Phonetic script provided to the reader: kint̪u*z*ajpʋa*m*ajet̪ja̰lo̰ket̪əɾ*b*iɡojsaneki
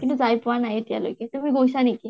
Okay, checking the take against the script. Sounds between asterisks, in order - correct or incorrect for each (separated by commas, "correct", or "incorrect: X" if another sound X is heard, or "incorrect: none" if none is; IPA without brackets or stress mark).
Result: incorrect: d͡z, incorrect: n, incorrect: m